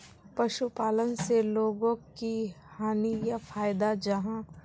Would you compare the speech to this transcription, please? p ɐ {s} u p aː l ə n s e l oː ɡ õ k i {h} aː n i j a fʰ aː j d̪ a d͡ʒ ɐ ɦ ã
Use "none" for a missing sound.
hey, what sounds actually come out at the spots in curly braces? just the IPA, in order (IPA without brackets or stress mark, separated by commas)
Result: ʃ, h